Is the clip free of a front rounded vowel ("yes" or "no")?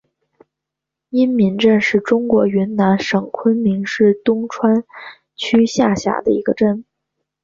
no